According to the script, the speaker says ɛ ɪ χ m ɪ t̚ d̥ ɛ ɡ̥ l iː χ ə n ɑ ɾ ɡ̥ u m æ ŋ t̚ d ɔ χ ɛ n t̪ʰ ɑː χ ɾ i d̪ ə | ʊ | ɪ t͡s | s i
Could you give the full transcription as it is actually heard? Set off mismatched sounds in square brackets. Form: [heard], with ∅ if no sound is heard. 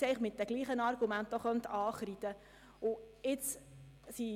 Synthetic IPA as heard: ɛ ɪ χ m ɪ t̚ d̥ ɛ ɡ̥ l iː χ ə n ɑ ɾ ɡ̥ u m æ [n] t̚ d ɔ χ [œ] n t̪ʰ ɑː χ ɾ i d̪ ə | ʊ | ɪ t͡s | s i